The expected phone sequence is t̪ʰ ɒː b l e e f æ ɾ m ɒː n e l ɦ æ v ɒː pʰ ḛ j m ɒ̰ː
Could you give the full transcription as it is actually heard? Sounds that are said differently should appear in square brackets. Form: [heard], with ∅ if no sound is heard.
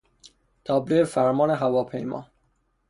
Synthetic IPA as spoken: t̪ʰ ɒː b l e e f æ ɾ m ɒː n e [∅] ɦ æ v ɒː pʰ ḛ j m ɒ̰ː